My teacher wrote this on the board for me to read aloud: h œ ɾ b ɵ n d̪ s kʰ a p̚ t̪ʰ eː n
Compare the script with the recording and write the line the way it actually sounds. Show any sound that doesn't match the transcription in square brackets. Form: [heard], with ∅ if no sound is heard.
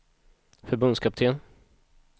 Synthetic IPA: [f] œ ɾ b ɵ n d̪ s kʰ a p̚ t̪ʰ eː n